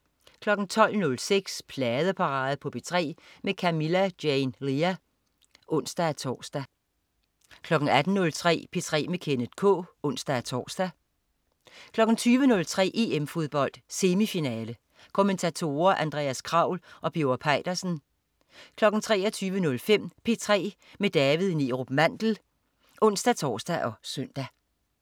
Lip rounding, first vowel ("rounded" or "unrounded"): rounded